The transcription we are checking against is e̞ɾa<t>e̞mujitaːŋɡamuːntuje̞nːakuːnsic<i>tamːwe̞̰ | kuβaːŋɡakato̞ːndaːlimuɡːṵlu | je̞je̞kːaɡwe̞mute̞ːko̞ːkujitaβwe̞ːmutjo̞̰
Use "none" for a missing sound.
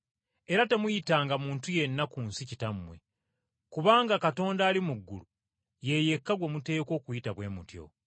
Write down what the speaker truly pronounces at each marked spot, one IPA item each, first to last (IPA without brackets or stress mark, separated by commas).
t, i